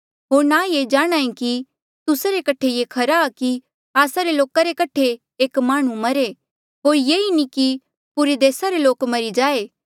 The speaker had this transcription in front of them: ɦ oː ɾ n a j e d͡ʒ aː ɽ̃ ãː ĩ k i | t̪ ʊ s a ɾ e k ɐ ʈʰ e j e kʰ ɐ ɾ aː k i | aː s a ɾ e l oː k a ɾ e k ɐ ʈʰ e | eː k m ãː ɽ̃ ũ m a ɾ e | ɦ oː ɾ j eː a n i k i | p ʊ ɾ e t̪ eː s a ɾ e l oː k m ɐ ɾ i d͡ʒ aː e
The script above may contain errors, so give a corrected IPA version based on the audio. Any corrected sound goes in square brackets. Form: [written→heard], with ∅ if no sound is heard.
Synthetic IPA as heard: ɦ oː ɾ n a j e d͡ʒ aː ɽ̃ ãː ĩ k i | t̪ ʊ s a ɾ e k ɐ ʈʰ e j e kʰ ɐ ɾ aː k i | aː s a ɾ e l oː k a ɾ e k ɐ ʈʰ e | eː k m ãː ɽ̃ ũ m [a→ɐ] ɾ e | ɦ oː ɾ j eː [a→i] n i k i | p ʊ ɾ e [t̪→d̪] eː s a ɾ e l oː k m ɐ ɾ i d͡ʒ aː e